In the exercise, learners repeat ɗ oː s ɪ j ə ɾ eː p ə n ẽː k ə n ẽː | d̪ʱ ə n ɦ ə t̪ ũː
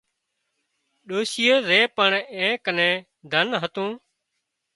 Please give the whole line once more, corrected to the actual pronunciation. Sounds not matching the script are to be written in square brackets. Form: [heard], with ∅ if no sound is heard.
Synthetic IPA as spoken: ɗ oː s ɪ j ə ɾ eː p ə [ɳ] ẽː k ə n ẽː | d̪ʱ ə n ɦ ə t̪ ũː

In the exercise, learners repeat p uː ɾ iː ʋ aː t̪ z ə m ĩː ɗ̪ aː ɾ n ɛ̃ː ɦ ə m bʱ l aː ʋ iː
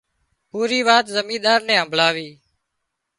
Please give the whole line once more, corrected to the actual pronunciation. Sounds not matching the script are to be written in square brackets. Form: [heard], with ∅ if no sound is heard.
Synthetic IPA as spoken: p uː ɾ iː ʋ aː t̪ z ə m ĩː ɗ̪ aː ɾ n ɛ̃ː ɦ ə m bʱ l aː ʋ iː

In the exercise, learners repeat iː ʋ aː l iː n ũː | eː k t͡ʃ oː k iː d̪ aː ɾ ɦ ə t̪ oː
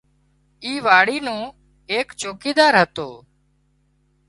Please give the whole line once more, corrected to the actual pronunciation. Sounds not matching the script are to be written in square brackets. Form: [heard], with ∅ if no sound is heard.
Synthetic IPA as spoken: iː ʋ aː [ɽ] iː n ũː | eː k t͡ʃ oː k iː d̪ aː ɾ ɦ ə t̪ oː

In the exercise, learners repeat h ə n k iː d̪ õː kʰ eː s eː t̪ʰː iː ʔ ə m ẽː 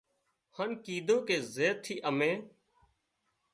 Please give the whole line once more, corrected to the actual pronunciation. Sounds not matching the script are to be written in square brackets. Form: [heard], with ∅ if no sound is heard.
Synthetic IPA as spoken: h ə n k iː d̪ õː [k] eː [z] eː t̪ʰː iː ʔ ə m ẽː

